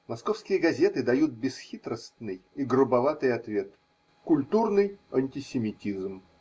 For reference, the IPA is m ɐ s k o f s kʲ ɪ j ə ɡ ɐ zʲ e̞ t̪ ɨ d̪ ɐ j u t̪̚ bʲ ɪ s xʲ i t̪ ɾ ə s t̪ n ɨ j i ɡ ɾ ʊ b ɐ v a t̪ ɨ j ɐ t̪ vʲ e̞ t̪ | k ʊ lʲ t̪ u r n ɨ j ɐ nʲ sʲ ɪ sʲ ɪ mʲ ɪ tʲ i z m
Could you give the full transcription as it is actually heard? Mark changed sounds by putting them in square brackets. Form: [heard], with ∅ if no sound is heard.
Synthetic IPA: m ɐ s k o f s kʲ ɪ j ə ɡ ɐ zʲ e̞ t̪ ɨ d̪ ɐ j u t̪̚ bʲ ɪ s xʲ i t̪ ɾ ə s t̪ n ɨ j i ɡ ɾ ʊ b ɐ v a t̪ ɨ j ɐ t̪ vʲ e̞ t̪ | k ʊ lʲ t̪ u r n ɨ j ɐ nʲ [tʲ] ɪ sʲ ɪ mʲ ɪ tʲ i z m